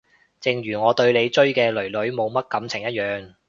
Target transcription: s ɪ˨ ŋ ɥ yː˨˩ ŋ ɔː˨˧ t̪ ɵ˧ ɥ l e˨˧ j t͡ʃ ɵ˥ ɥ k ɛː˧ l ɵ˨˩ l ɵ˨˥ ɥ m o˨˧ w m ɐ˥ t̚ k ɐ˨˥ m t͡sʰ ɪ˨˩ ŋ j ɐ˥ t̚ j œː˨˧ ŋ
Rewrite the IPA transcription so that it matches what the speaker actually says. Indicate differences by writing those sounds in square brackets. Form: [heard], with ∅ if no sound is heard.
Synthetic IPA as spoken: [t͡s] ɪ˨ ŋ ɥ yː˨˩ ŋ ɔː˨˧ t̪ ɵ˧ ɥ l e˨˧ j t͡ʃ ɵ˥ ɥ k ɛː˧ l ɵ˨˩ l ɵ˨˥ ɥ m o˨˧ w m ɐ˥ t̚ k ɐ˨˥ m t͡sʰ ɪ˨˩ ŋ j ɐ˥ t̚ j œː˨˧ ŋ

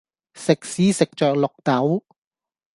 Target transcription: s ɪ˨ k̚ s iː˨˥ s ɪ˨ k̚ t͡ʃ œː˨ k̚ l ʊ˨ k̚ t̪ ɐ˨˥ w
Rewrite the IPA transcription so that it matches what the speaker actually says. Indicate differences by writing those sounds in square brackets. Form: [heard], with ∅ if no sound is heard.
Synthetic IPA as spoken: s ɪ˨ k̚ s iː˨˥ s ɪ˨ k̚ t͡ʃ œː˨ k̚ l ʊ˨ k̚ t̪ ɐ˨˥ w

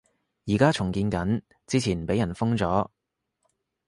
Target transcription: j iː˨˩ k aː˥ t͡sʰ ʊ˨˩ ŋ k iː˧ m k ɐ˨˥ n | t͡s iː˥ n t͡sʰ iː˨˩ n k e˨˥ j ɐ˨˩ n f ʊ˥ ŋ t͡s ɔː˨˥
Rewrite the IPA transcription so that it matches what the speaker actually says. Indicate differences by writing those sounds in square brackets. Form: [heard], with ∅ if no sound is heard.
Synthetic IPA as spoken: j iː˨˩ k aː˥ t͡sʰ ʊ˨˩ ŋ k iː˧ [n] k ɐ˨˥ n | t͡s iː˥ [∅] t͡sʰ iː˨˩ n [p] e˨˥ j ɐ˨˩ n f ʊ˥ ŋ t͡s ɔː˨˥

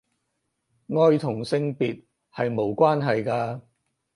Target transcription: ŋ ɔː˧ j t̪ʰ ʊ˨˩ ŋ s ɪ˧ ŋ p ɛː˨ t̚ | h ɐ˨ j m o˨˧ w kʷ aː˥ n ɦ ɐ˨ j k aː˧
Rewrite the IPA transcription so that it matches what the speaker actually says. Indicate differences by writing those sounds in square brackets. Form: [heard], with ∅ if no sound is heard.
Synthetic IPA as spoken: ŋ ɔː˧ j t̪ʰ ʊ˨˩ ŋ s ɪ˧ ŋ p [iː˨] t̚ | h ɐ˨ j m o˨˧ w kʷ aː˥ n ɦ ɐ˨ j k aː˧

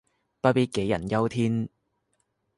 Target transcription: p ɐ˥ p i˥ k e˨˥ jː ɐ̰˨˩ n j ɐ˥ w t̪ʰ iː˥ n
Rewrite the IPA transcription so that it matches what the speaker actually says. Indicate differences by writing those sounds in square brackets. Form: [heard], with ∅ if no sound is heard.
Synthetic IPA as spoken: p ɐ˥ p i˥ k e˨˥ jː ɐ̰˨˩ n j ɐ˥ w t̪ʰ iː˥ n

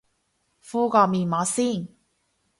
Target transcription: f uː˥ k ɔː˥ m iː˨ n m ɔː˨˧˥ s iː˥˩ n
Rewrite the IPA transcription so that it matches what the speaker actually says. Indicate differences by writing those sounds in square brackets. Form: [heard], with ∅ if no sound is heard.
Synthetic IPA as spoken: f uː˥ k [ɔː˧] m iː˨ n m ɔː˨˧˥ s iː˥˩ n

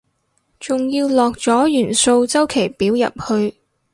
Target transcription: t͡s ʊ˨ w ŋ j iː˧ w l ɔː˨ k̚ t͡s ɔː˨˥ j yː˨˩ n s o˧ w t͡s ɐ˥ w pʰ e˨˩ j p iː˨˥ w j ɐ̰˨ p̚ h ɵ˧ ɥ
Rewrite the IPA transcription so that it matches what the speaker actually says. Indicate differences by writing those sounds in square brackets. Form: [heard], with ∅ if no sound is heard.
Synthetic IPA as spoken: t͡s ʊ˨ [∅] ŋ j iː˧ w l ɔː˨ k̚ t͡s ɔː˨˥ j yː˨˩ n s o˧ w t͡s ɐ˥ w [kʰ] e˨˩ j p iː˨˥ w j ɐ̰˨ p̚ h ɵ˧ ɥ

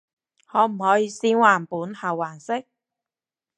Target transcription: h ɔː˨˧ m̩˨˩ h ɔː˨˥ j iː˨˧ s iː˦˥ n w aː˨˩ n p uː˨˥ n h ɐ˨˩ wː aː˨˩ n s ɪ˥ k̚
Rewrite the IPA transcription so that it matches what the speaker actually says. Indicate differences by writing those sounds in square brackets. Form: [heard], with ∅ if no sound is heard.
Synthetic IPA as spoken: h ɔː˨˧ m̩˨˩ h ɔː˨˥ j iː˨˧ s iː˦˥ n w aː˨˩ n p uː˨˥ n h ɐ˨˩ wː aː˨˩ n s ɪ˥ k̚

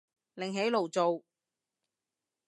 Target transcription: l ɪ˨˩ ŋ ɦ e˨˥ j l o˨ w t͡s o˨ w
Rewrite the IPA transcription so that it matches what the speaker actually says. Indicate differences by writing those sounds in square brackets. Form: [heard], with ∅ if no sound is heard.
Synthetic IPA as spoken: l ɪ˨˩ ŋ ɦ e˨˥ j l o˨ w t͡s o˨ w

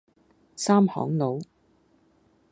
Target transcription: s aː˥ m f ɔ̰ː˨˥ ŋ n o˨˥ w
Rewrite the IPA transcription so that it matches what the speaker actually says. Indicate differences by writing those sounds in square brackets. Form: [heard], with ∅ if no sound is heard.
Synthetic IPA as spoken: s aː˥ m [h] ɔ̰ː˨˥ ŋ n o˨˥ w

